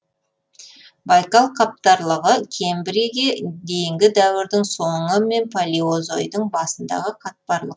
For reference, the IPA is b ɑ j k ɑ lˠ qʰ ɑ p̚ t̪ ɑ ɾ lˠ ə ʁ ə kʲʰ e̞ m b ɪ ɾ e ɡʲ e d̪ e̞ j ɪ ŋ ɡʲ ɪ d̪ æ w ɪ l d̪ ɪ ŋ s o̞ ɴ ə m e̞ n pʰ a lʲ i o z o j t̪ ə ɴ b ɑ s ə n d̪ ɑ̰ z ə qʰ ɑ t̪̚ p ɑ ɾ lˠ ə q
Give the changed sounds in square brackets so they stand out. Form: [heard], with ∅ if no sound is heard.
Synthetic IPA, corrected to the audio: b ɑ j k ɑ lˠ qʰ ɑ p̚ t̪ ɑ ɾ lˠ ə ʁ ə kʲʰ e̞ m b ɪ ɾ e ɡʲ e d̪ e̞ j ɪ ŋ ɡʲ ɪ d̪ æ w ɪ [ɾ] d̪ ɪ ŋ s o̞ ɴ ə m e̞ n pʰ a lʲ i o z o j [d̪] ə ɴ b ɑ s ə n d̪ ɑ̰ [ʁ] ə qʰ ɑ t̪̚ p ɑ ɾ lˠ ə q

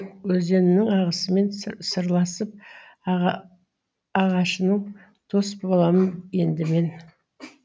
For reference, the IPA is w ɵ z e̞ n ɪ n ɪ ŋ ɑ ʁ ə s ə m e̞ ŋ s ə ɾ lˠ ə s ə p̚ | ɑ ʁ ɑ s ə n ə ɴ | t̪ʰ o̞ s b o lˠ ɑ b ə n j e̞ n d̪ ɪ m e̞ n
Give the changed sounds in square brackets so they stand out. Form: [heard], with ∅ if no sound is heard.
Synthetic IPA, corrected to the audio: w ɵ z e̞ n ɪ n ɪ ŋ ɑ ʁ ə s ə m e̞ [n] s ə ɾ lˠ [ɑ] s ə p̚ | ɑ ʁ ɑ [ʃ] ə n ə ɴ | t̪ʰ o̞ s b o lˠ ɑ [m] ə n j e̞ n d̪ ɪ m e̞ n

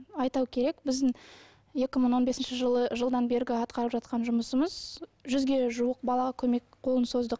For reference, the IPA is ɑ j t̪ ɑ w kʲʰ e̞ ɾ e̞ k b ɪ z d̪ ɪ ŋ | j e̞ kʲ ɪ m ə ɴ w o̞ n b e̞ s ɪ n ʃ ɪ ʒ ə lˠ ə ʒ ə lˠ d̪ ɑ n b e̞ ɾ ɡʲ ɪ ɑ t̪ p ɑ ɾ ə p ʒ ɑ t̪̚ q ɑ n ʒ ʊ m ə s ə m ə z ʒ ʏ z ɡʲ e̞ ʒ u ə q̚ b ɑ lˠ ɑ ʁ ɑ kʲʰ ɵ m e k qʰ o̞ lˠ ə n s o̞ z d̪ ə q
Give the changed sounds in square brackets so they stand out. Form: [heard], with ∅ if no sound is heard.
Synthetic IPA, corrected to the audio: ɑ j t̪ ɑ w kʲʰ e̞ ɾ e̞ k b ɪ z d̪ ɪ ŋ | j e̞ kʲ ɪ m ə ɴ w o̞ n b e̞ s ɪ n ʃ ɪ ʒ ə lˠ ə ʒ ə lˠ d̪ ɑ n b e̞ ɾ ɡʲ ɪ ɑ t̪ [q] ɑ ɾ ə p ʒ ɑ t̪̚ q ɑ n ʒ ʊ m ə s ə m ə z ʒ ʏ z ɡʲ e̞ ʒ u ə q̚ b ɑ lˠ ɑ ʁ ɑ kʲʰ ɵ m e k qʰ o̞ lˠ ə n s o̞ z d̪ ə q

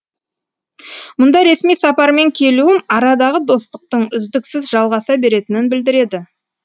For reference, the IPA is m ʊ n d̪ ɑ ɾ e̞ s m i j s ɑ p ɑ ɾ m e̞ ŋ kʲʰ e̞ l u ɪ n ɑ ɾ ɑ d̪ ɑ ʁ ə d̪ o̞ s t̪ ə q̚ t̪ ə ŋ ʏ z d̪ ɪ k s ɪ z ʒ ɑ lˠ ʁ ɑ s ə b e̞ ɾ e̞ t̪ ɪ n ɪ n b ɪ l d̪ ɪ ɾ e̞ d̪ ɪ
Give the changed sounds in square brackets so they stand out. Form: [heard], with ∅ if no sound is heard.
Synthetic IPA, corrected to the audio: m ʊ n d̪ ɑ ɾ e̞ s m i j s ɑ p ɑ ɾ m e̞ ŋ kʲʰ e̞ l u ɪ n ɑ ɾ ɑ d̪ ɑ ʁ ə d̪ o̞ s t̪ ə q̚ t̪ ə [ɴ] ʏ z d̪ ɪ k s ɪ z ʒ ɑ lˠ ʁ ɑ s [ɑ] b e̞ ɾ e̞ t̪ ɪ n ɪ n b ɪ l d̪ ɪ ɾ e̞ d̪ ɪ

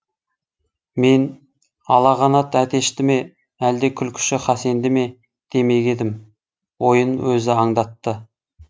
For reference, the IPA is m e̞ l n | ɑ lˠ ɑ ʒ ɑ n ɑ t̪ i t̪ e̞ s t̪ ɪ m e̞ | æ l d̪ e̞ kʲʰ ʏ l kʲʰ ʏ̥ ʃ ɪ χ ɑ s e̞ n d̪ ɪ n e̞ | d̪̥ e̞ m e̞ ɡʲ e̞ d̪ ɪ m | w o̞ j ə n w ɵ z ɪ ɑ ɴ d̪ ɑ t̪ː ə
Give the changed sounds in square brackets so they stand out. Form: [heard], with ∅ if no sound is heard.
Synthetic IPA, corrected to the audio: m e̞ [∅] n | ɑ lˠ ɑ [ʁ] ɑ n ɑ t̪ [æ] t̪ e̞ [ʃ] t̪ ɪ m e̞ | æ l d̪ e̞ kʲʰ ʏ l kʲʰ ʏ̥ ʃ ɪ χ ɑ s e̞ n d̪ ɪ [m] e̞ | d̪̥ e̞ m e̞ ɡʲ e̞ d̪ ɪ m | w o̞ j ə n w ɵ z ɪ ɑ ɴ d̪ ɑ t̪ː ə

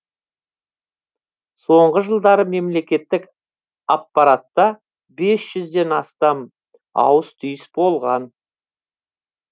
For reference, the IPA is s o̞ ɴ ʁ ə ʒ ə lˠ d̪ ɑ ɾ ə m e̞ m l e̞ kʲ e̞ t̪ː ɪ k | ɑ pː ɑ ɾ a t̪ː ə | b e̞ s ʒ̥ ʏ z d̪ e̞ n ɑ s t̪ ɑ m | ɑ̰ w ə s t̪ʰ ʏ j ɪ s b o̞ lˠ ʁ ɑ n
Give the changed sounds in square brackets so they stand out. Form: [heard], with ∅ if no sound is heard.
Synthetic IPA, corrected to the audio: s o̞ ɴ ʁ ə ʒ ə lˠ d̪ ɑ ɾ ə m e̞ m l e̞ kʲ e̞ t̪ː ɪ k | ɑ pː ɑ ɾ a t̪ː [ɑ] | b e̞ s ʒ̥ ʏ z d̪ e̞ n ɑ s t̪ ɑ m | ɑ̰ w ə s t̪ʰ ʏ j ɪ s b o̞ lˠ ʁ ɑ n

